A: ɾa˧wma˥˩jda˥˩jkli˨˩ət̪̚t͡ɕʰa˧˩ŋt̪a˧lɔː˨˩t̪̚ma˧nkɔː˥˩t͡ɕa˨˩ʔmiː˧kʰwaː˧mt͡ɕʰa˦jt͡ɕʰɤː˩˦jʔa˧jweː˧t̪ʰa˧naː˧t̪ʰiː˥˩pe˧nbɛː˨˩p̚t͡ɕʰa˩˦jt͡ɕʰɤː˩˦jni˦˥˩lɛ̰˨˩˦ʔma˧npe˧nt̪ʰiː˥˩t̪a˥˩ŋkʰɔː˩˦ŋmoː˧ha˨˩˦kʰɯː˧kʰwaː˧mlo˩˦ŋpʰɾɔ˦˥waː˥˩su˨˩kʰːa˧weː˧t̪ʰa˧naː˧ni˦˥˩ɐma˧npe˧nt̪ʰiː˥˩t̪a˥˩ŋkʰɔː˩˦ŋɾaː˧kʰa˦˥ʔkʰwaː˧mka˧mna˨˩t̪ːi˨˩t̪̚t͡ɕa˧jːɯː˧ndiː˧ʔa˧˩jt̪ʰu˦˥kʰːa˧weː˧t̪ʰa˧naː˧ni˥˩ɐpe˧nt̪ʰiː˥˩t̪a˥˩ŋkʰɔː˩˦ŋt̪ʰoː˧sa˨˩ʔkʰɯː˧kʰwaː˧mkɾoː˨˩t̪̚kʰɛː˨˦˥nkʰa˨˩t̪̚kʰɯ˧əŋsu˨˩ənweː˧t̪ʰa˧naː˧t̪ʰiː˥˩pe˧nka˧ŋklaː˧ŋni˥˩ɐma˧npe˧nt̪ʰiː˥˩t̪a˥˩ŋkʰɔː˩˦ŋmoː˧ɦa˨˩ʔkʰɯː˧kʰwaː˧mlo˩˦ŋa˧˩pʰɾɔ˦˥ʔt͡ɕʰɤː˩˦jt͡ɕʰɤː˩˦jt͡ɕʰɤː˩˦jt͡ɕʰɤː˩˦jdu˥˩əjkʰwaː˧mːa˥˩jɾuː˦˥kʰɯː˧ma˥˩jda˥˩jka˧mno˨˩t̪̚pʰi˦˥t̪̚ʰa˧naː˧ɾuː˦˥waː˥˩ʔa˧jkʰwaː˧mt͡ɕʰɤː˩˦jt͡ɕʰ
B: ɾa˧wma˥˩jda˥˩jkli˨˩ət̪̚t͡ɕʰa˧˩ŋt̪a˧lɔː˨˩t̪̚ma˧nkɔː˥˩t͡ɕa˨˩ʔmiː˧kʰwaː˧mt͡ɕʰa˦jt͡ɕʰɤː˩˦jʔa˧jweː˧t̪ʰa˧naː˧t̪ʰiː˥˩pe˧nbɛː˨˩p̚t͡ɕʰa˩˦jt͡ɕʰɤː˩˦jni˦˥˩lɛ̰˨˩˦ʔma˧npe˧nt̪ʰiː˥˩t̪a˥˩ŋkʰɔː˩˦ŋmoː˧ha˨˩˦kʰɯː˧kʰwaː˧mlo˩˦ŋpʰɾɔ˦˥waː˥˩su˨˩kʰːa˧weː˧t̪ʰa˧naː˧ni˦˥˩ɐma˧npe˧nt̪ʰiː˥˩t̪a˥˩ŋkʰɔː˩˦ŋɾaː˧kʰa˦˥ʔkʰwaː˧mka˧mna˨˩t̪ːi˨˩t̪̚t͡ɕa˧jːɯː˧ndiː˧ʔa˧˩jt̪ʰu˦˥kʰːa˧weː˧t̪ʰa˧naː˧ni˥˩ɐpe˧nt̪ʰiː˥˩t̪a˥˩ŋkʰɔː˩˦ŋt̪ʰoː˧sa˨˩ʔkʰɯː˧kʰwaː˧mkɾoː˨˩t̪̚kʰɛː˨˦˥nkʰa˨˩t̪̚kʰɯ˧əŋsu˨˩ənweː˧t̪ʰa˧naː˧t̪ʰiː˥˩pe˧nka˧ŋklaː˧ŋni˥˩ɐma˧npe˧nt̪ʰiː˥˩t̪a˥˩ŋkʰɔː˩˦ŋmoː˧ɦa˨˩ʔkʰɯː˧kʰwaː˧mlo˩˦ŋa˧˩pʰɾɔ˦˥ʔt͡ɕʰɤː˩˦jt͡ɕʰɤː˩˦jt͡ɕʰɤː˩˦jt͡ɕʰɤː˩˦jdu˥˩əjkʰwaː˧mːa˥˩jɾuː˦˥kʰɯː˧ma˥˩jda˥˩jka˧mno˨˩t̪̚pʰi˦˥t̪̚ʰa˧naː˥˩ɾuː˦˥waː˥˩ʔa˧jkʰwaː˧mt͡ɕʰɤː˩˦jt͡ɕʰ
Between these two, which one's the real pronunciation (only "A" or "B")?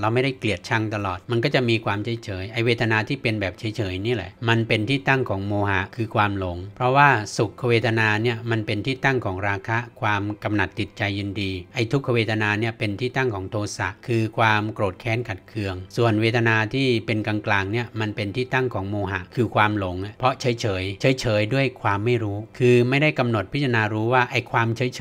A